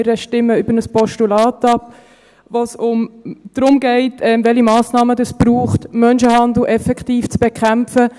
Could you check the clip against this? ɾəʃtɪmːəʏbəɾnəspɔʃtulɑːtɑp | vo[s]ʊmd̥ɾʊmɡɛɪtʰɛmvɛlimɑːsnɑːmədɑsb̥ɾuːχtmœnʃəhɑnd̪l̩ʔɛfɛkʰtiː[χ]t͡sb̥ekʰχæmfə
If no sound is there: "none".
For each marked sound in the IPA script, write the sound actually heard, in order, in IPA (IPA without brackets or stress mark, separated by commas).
s, f